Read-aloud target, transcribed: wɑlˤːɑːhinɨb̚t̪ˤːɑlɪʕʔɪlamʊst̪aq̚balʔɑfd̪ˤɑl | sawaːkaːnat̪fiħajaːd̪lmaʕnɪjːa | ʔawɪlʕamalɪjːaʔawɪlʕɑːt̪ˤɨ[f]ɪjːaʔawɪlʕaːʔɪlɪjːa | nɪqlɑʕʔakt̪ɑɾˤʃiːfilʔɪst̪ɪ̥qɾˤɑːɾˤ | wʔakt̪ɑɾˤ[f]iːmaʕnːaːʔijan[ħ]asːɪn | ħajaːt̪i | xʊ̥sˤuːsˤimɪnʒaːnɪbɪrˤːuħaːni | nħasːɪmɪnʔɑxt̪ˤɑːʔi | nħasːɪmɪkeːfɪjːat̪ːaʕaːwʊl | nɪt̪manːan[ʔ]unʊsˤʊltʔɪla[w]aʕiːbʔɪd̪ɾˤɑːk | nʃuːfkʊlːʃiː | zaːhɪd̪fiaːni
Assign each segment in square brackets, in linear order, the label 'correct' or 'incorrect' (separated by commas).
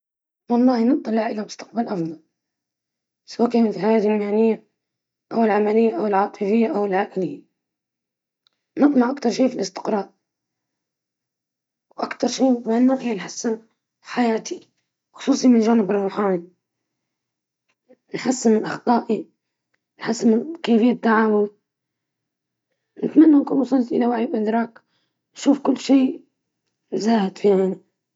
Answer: correct, incorrect, correct, incorrect, correct